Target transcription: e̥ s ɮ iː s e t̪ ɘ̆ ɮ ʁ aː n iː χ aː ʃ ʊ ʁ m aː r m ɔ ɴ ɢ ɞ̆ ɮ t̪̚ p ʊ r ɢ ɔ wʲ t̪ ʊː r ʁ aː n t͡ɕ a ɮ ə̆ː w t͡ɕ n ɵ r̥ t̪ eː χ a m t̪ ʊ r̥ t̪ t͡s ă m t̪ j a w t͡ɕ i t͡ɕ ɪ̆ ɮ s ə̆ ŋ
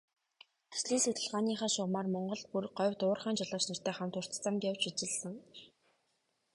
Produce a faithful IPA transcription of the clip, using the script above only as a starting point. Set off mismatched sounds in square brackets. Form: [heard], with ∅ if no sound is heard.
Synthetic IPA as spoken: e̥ s ɮ iː s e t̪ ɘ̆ ɮ ʁ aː n iː χ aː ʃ ʊ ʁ m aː r m ɔ ɴ ɢ ɞ̆ ɮ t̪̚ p [u] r ɢ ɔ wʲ t̪ ʊː r [χ] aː n t͡ɕ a ɮ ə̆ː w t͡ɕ n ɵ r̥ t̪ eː χ a m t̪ ʊ r̥ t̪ t͡s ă m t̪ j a w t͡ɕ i t͡ɕ ɪ̆ ɮ s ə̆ ŋ